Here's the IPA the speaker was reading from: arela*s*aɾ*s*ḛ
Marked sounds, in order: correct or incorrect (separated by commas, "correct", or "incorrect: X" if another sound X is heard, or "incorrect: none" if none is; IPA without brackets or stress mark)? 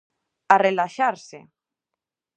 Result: incorrect: ʃ, correct